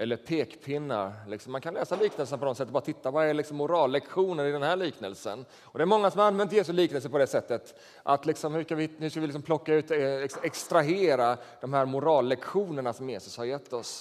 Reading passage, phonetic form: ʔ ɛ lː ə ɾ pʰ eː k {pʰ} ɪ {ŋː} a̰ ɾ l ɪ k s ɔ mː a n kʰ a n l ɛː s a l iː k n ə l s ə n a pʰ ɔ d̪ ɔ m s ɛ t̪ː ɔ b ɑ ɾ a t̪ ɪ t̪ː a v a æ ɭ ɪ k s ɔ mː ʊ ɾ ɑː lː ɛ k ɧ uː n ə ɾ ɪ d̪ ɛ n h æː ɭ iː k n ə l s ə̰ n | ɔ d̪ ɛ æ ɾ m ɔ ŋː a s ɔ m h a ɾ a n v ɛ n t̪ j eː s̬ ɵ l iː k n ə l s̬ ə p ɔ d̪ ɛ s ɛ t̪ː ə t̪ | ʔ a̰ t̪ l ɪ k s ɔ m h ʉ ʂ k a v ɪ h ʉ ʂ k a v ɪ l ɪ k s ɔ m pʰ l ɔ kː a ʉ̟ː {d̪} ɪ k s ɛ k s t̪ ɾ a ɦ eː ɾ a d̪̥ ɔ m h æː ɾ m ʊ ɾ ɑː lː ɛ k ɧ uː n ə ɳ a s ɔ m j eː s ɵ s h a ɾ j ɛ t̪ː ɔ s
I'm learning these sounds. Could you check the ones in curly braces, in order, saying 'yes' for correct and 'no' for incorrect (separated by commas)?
yes, no, no